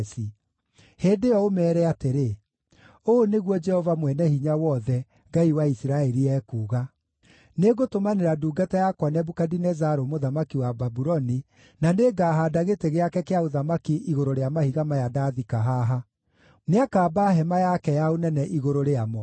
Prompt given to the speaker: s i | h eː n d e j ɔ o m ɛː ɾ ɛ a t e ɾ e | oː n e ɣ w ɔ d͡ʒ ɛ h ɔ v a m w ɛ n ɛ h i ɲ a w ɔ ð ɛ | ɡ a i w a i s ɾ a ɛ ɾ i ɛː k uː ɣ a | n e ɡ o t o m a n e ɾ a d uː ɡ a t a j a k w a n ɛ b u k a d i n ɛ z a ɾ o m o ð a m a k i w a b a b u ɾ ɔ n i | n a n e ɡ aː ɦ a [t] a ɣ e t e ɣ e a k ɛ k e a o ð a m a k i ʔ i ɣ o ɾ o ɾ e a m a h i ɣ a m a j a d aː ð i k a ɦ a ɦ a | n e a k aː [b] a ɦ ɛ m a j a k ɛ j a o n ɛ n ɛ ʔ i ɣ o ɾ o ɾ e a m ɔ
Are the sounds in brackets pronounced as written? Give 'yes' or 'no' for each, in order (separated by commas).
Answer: no, yes